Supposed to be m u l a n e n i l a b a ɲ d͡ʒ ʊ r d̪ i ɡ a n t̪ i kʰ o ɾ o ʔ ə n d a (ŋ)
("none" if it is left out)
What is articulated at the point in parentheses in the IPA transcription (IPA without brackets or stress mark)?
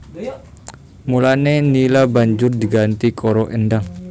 ŋ